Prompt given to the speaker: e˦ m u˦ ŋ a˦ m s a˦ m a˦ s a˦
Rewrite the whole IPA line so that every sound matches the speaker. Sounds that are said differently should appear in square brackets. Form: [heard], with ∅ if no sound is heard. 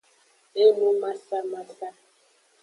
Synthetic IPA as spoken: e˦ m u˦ [m] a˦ [∅] s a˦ m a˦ s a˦